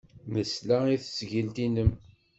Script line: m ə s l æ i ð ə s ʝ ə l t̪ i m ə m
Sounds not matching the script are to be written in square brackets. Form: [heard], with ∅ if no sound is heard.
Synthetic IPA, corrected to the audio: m ə s l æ i [θ] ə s ʝ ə l t̪ i [n] ə m